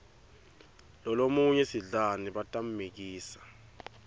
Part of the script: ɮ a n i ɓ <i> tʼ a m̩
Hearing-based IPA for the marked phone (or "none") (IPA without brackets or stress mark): a